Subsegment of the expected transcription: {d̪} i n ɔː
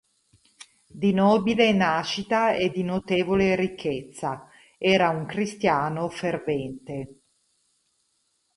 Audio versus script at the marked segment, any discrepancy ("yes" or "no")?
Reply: no